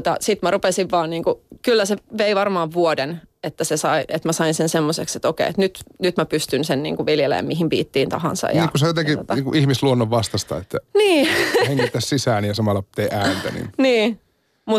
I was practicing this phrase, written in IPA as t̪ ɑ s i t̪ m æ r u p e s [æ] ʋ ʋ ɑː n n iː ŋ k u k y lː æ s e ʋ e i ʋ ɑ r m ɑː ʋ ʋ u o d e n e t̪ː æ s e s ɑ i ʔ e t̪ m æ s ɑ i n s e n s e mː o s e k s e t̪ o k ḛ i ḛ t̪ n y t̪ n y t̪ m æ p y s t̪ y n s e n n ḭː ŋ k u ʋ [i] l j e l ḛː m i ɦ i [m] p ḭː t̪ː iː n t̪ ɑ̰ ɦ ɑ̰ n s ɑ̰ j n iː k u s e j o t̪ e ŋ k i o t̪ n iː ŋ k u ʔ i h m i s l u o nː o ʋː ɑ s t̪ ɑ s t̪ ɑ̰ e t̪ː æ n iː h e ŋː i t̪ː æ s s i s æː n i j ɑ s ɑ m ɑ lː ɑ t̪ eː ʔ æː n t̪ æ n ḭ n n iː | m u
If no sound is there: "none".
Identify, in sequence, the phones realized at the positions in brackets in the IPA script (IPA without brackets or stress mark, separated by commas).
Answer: i, i, m